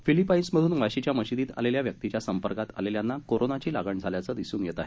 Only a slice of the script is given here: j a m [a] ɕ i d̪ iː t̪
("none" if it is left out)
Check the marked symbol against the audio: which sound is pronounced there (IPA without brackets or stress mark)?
ə